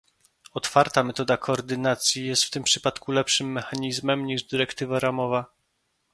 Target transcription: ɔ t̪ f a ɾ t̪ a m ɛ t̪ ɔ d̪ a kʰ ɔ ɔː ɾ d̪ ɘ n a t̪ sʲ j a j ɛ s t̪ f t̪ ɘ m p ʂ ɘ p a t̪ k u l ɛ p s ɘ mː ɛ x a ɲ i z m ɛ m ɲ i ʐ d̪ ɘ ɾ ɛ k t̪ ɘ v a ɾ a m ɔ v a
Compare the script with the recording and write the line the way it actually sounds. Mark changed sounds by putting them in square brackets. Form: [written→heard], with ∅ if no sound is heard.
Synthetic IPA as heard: ɔ t̪ f a ɾ t̪ a m ɛ t̪ ɔ d̪ a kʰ ɔ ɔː ɾ d̪ ɘ n a t̪ sʲ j [a→i] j ɛ s t̪ f t̪ ɘ m p ʂ ɘ p a t̪ k u l ɛ p [s→ʂ] ɘ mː ɛ x a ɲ i z m ɛ m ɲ i ʐ d̪ ɘ ɾ ɛ k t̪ ɘ v a ɾ a m ɔ v a